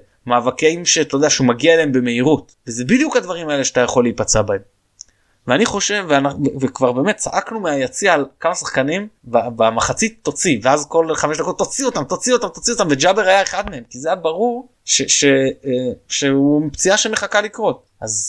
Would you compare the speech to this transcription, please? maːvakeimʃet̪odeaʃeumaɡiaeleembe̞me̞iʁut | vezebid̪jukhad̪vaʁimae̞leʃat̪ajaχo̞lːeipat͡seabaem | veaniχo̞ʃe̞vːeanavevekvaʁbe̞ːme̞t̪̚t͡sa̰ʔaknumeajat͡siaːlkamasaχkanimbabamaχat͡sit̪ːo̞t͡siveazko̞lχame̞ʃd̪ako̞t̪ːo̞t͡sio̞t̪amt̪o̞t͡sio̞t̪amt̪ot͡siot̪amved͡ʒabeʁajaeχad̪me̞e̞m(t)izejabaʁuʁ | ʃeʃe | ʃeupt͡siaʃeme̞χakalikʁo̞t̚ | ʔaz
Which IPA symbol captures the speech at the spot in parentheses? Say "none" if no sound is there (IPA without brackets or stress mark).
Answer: k